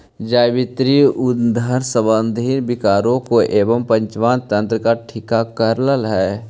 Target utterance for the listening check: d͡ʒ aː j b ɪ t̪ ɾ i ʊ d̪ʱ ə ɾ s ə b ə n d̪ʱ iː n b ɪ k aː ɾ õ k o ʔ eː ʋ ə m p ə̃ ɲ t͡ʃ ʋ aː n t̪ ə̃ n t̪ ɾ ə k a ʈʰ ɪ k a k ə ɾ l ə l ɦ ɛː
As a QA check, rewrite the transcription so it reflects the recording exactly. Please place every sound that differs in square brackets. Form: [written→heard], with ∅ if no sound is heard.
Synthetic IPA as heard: d͡ʒ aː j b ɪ t̪ ɾ i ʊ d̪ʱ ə ɾ s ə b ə n d̪ʱ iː n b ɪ k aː ɾ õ k o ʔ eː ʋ ə m p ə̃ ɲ t͡ʃ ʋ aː n t̪ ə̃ n t̪ ɾ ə k a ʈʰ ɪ k a k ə ɾ l ə l ɦ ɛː